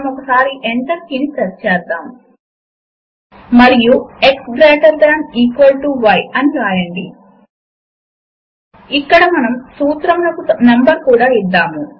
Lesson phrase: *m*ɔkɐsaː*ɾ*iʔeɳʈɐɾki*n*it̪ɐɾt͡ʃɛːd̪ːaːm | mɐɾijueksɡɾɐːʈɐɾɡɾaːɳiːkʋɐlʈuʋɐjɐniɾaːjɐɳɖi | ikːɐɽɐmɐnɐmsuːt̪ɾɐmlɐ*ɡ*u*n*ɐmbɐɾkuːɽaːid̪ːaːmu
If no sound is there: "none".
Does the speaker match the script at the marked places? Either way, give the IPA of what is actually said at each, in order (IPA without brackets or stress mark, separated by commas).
m, ɾ, n, k, n